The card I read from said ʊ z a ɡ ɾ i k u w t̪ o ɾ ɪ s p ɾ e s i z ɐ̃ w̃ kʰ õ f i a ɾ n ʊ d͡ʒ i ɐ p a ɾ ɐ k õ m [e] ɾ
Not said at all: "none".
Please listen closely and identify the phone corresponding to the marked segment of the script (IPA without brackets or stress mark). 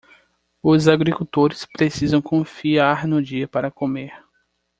e